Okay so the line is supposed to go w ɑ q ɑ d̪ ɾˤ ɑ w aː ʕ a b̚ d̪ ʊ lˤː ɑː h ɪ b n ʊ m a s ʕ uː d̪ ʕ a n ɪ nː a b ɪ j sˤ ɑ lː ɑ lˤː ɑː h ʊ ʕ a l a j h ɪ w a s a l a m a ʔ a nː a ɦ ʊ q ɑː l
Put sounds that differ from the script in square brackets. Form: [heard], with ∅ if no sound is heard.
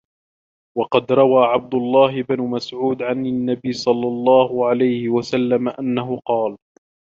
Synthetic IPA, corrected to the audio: w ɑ q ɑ d̪ ɾˤ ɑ w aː ʕ a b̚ d̪ ʊ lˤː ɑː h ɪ b n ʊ m a s ʕ uː d̪ ʕ a n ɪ nː a b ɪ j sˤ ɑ lː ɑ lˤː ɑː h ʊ ʕ a l a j h ɪ w a s a [lː] a m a ʔ a nː a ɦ ʊ q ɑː l